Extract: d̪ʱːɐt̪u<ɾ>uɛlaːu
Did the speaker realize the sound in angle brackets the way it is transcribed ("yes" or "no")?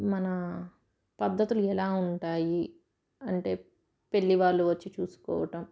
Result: no